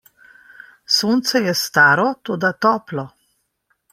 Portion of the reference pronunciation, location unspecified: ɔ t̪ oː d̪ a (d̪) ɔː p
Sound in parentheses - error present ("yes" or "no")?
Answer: yes